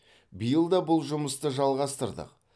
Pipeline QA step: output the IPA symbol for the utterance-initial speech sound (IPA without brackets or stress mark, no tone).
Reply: b